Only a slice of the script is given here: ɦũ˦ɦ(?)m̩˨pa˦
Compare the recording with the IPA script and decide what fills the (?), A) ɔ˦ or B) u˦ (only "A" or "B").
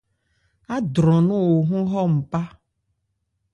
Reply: A